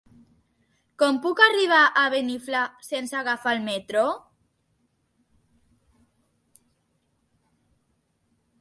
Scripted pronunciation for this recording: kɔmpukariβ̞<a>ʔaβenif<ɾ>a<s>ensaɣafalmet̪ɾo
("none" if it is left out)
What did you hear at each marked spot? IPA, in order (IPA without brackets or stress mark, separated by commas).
a, l, s